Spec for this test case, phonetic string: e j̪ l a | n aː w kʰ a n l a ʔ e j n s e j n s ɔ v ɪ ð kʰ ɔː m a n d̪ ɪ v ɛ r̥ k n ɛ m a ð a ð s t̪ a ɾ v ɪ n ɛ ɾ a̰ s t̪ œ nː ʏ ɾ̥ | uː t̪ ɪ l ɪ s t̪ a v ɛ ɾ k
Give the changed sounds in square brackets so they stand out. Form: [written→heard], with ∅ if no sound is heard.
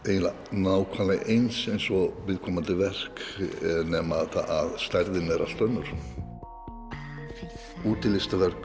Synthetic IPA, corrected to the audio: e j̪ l a | n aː w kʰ a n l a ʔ e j n s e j n s ɔ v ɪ ð kʰ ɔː m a n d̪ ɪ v ɛ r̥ k n ɛ m a ð a ð s t̪ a ɾ [v→ð] ɪ n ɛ ɾ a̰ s t̪ œ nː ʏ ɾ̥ | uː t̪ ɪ l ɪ s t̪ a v ɛ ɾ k